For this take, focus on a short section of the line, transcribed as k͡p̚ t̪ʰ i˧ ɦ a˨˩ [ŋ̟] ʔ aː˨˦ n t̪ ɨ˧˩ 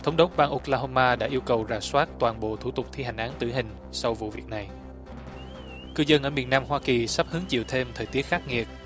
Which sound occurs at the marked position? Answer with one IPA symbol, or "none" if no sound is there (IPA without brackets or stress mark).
ŋ̟